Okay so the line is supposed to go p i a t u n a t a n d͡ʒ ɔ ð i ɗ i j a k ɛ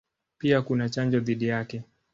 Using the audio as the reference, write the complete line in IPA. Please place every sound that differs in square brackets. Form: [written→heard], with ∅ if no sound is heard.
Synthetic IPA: p i a [t→k] u n a [t→t͡ʃ] a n d͡ʒ ɔ ð i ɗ i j a k ɛ